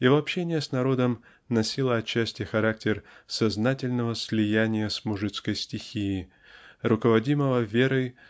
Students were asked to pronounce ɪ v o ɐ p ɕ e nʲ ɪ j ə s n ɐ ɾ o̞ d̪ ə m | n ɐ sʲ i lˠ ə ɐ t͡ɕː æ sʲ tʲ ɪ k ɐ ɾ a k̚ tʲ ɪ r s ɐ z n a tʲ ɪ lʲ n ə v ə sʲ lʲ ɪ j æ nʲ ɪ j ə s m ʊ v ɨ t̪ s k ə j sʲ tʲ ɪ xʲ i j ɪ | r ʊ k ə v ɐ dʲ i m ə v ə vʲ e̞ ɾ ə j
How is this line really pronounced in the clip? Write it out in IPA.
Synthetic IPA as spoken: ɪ v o ɐ p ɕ e nʲ ɪ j ə s n ɐ ɾ o̞ d̪ ə m | n ɐ sʲ i lˠ ə ɐ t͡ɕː æ sʲ tʲ ɪ x ɐ ɾ a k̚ tʲ ɪ r s ɐ z n a tʲ ɪ lʲ n ə v ə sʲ lʲ ɪ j æ nʲ ɪ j ə s m ʊ ʐ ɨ t̪ s k ə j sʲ tʲ ɪ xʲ i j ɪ | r ʊ k ə v ɐ dʲ i m ə v ə vʲ e̞ ɾ ə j